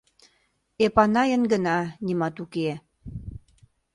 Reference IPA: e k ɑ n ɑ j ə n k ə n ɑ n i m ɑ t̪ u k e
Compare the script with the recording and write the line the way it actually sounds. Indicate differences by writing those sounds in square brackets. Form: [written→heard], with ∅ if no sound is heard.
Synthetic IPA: e [k→p] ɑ n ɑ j ə n [k→ɡ] ə n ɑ n i m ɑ t̪ u k e

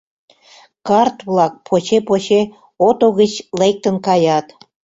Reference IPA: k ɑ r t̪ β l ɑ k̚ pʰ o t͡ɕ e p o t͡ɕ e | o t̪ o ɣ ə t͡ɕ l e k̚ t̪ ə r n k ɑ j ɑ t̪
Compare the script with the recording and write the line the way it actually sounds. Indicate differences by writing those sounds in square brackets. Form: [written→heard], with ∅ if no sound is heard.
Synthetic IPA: k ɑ r t̪ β l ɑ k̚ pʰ o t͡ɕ e p o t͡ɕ e | o t̪ o ɣ ə t͡ɕ l e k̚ t̪ ə [r→∅] n k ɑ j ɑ t̪

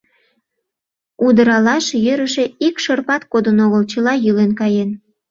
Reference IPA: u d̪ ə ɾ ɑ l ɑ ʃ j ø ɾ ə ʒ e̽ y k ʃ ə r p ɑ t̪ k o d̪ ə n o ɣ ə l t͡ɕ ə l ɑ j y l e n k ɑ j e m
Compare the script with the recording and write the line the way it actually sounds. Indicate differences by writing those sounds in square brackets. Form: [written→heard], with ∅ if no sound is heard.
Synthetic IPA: u d̪ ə ɾ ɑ l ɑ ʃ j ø ɾ ə [ʒ→ʃ] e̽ [y→i] k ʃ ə r p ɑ t̪ k o d̪ ə n o ɣ ə l t͡ɕ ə l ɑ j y l e n k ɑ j e [m→n]

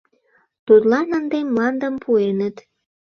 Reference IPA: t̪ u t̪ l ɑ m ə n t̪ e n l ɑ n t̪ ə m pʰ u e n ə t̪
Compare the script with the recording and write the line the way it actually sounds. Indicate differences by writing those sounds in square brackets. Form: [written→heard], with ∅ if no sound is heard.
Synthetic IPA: t̪ u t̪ l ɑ [m→n] ə n [t̪→d̪] e [n→m] l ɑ n [t̪→d̪] ə m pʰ u e n ə t̪

